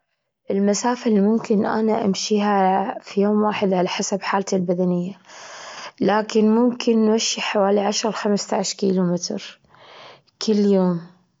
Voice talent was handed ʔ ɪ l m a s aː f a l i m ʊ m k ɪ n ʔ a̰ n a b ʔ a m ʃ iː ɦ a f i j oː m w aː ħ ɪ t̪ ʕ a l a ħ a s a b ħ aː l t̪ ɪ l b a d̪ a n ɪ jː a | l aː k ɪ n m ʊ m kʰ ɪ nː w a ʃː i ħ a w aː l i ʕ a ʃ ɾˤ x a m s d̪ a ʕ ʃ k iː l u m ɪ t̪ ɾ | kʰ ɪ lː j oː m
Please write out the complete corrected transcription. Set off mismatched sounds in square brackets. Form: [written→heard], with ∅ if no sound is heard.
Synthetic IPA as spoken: ʔ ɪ l m a s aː f a l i m ʊ m k ɪ n ʔ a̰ n a [b→∅] ʔ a m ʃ iː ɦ a f i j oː m w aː ħ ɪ [t̪→d̪] ʕ a l a ħ a s a b ħ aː l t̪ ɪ l b a d̪ a n ɪ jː a | l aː k ɪ n m ʊ m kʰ ɪ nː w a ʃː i ħ a w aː l i ʕ a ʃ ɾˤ x a m s [d̪→t̪] a ʕ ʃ k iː l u m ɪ t̪ ɾ | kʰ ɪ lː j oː m